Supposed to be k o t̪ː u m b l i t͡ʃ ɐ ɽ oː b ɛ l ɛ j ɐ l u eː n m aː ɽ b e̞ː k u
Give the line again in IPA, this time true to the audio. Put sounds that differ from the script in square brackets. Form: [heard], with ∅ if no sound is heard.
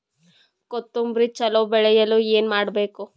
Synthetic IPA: k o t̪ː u m b [ɾ] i t͡ʃ ɐ [l] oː b ɛ [ɭ] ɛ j ɐ l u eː n m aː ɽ b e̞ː k u

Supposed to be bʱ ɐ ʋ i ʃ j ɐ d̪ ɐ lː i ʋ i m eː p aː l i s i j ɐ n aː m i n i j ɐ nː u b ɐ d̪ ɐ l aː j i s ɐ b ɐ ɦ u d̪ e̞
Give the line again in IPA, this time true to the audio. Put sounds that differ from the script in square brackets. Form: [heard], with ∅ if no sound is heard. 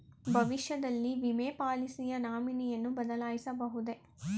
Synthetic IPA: bʱ ɐ ʋ i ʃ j ɐ d̪ ɐ lː i ʋ i m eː p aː l i s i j ɐ n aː m i n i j ɐ nː u b ɐ d̪ ɐ l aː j i s ɐ b ɐ ɦ u d̪ e̞

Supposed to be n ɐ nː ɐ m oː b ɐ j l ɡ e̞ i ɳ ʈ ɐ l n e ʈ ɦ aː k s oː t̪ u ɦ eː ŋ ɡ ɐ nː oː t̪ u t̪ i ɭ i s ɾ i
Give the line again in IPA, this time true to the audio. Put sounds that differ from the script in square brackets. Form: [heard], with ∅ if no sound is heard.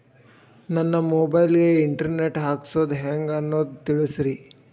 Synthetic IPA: n ɐ nː ɐ m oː b ɐ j l ɡ e̞ i ɳ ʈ ɐ [ɾ] n e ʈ ɦ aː k s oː [d̪] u ɦ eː ŋ ɡ ɐ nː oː [d̪] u t̪ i ɭ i s ɾ i

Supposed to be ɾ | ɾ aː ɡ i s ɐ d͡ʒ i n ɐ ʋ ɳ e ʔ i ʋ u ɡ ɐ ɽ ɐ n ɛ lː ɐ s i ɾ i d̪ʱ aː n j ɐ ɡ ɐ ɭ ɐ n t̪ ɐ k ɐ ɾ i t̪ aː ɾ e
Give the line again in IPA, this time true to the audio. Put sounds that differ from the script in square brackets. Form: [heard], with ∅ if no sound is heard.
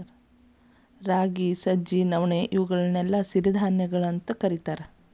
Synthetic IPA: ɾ | ɾ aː ɡ i s ɐ d͡ʒ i n ɐ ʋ ɳ e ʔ i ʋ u ɡ ɐ [ɭ] ɐ n ɛ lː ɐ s i ɾ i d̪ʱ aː n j ɐ ɡ ɐ ɭ ɐ n t̪ ɐ k ɐ ɾ i t̪ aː ɾ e

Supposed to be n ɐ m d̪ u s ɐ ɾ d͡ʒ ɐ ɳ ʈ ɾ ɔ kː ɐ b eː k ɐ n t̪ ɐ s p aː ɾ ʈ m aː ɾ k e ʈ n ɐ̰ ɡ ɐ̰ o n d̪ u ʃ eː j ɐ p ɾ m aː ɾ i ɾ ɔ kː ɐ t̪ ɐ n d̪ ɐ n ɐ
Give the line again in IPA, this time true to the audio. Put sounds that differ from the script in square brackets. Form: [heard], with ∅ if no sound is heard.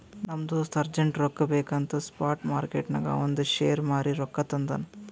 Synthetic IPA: n ɐ m d̪ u s ɐ ɾ d͡ʒ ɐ ɳ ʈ ɾ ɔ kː ɐ b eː k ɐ n t̪ ɐ s p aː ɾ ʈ m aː ɾ k e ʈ n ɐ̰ ɡ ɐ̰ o n d̪ u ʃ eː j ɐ [∅] ɾ m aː ɾ i ɾ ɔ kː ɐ t̪ ɐ n d̪ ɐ n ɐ

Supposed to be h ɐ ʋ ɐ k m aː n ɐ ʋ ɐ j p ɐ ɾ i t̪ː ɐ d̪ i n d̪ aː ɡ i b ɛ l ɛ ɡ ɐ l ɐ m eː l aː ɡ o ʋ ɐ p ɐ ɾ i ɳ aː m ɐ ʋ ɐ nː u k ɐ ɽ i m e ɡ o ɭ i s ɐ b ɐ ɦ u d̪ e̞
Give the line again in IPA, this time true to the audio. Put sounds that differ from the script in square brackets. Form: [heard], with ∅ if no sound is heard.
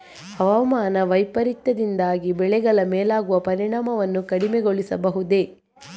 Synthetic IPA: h ɐ ʋ ɐ [∅] m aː n ɐ ʋ ɐ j p ɐ ɾ i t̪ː ɐ d̪ i n d̪ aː ɡ i b ɛ [ɭ] ɛ ɡ ɐ [ɭ] ɐ m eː l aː ɡ [u] ʋ ɐ p ɐ ɾ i ɳ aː m ɐ ʋ ɐ nː u k ɐ ɽ i m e ɡ o ɭ i s ɐ b ɐ ɦ u d̪ e̞

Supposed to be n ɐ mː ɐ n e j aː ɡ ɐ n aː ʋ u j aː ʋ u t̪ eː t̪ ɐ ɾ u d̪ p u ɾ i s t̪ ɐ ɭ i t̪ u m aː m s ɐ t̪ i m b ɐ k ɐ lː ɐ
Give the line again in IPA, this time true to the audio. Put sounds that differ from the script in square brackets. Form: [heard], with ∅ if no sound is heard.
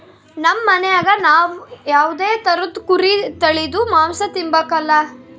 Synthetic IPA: n ɐ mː ɐ n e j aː ɡ ɐ n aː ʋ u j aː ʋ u [d̪] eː t̪ ɐ ɾ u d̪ [k] u ɾ i [∅] t̪ ɐ ɭ i [d̪] u m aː m s ɐ t̪ i m b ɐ k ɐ lː ɐ

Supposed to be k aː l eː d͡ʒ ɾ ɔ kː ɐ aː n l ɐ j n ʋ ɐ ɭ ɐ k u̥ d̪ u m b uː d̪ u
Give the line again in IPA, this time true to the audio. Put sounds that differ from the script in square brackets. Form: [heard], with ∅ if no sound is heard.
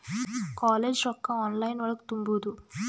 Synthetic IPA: k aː l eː d͡ʒ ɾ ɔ kː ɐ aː n l ɐ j n ʋ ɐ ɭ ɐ k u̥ [t̪] u m b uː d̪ u

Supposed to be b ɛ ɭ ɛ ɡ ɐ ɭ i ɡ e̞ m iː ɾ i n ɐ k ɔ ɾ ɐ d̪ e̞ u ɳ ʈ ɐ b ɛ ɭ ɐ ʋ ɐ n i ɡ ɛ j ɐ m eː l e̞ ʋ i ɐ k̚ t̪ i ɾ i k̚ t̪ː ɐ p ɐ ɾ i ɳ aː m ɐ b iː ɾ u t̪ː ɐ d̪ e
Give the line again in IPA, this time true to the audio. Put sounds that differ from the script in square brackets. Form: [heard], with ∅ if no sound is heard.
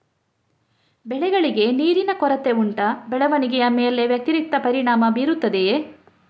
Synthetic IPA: b ɛ ɭ ɛ ɡ ɐ ɭ i ɡ e̞ [n] iː ɾ i n ɐ k ɔ ɾ ɐ [t̪] e̞ u ɳ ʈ ɐ b ɛ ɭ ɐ ʋ ɐ n i ɡ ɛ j ɐ m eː l e̞ ʋ [j] ɐ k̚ t̪ i ɾ i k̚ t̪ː ɐ p ɐ ɾ i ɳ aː m ɐ b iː ɾ u t̪ː ɐ d̪ e

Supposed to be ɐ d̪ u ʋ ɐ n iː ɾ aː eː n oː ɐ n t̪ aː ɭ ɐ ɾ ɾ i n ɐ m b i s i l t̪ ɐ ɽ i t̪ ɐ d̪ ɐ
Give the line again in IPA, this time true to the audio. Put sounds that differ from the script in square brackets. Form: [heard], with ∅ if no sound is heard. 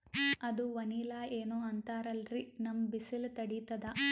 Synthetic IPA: ɐ d̪ u ʋ ɐ n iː [l] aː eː n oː ɐ n t̪ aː [ɾ] ɐ [l] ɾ i n ɐ m b i s i l t̪ ɐ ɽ i t̪ ɐ d̪ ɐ

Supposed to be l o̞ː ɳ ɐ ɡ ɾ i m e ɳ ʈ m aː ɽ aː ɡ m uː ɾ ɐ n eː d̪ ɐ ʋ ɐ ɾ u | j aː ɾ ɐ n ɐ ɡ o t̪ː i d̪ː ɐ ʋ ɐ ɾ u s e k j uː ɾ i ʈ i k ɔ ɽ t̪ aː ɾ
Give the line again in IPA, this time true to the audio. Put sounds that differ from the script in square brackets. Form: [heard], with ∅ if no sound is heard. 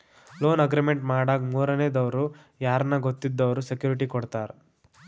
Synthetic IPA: l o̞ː [n] ɐ ɡ ɾ i m e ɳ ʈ m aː ɽ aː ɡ m uː ɾ ɐ n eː d̪ ɐ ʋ ɐ ɾ u | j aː ɾ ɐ n ɐ ɡ o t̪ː i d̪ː ɐ ʋ ɐ ɾ u s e k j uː ɾ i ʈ i k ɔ ɽ t̪ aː ɾ

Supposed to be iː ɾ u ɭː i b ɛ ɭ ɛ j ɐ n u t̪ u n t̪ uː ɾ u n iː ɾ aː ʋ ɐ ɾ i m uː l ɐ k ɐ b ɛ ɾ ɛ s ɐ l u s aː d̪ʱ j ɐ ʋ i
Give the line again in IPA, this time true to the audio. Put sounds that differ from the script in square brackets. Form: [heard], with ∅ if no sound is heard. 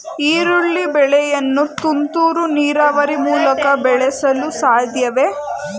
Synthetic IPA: iː ɾ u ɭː i b ɛ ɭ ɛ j ɐ [nː] u t̪ u n t̪ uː ɾ u n iː ɾ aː ʋ ɐ ɾ i m uː l ɐ k ɐ b ɛ [ɭ] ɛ s ɐ l u s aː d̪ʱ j ɐ ʋ [e]

